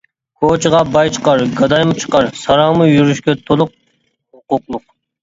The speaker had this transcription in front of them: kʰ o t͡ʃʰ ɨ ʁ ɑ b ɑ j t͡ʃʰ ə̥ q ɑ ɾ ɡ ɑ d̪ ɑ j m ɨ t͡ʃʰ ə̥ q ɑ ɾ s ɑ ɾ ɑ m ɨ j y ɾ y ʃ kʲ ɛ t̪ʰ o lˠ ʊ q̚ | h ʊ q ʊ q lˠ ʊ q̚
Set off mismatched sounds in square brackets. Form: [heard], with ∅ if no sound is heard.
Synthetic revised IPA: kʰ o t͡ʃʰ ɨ ʁ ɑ b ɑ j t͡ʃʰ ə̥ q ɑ ɾ ɡ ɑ d̪ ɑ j m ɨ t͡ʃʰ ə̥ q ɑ ɾ s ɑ ɾ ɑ m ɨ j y ɾ y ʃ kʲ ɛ t̪ʰ o lˠ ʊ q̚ | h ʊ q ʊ q lˠ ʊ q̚